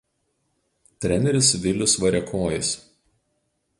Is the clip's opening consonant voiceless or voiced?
voiceless